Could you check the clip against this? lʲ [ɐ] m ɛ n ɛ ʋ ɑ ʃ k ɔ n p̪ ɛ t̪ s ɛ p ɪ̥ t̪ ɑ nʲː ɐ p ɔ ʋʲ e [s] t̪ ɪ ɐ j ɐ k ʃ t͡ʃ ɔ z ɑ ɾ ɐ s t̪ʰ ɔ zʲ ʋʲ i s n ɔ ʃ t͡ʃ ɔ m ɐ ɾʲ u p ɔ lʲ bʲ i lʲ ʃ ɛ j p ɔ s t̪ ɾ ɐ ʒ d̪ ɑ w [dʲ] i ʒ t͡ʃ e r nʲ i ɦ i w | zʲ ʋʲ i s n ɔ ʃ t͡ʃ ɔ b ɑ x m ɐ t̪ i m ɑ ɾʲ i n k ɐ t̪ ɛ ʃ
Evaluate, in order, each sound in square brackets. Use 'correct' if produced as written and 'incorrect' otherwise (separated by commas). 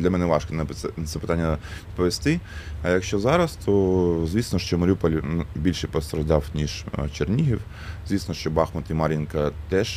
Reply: correct, correct, incorrect